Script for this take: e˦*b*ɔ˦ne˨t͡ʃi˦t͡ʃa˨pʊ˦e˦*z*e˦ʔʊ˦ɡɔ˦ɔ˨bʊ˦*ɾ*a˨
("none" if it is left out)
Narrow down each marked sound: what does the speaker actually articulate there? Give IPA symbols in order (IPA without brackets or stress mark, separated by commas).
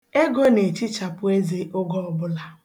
ɡ, z, l